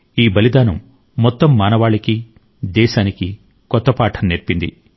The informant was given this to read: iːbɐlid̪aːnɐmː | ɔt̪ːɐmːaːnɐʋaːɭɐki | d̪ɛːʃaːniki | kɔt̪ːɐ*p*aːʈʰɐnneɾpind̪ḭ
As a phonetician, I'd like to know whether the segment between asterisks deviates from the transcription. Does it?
no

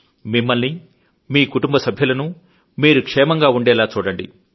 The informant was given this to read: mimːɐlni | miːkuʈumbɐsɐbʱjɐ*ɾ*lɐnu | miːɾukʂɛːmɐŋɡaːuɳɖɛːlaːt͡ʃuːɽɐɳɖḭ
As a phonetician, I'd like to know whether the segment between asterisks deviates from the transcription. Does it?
yes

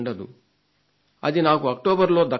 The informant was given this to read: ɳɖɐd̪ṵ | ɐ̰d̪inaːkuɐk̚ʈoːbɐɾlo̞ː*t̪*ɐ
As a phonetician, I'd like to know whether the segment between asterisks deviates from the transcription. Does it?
yes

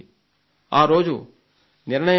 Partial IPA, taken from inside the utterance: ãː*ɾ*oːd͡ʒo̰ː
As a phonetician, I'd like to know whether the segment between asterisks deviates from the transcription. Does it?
no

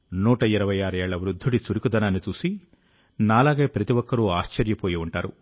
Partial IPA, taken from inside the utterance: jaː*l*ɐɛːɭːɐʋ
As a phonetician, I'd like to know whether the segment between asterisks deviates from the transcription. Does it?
yes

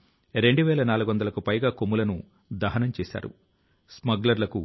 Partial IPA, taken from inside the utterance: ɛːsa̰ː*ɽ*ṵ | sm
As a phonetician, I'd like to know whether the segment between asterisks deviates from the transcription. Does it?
yes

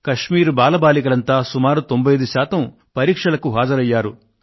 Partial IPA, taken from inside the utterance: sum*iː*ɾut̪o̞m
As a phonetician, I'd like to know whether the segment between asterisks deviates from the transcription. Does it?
yes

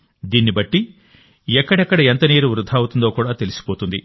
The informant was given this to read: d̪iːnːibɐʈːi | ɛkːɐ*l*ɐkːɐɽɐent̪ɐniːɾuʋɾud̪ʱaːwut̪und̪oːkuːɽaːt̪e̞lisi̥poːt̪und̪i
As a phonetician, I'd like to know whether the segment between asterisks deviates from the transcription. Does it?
yes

